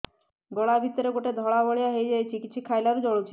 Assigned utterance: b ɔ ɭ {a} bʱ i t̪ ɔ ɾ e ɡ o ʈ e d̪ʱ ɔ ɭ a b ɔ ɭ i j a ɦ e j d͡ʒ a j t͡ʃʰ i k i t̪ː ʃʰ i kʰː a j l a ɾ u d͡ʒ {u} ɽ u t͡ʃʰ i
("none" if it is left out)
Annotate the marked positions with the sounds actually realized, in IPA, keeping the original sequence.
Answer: a, ɔ

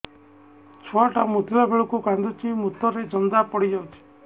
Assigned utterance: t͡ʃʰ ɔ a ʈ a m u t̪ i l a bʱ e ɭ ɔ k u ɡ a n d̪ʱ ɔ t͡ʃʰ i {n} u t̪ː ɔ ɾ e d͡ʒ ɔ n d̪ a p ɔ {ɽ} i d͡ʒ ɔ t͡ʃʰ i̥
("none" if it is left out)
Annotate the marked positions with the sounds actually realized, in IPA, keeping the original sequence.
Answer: m, ɽ

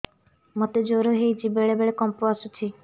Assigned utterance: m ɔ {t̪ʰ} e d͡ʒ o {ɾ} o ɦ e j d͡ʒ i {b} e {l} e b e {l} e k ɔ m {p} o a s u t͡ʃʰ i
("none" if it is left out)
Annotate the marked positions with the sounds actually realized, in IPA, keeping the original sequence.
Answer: t̪, ɾ, b, ɭ, ɭ, p

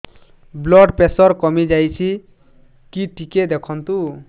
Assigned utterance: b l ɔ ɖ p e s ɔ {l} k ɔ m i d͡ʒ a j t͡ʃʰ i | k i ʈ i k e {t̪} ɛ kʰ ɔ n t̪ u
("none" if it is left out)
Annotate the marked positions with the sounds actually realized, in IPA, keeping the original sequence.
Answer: ɾ, d̪

